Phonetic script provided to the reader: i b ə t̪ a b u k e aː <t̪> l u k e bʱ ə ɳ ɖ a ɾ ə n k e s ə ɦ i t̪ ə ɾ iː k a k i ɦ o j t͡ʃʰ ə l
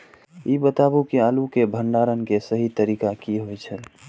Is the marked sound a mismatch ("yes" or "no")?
yes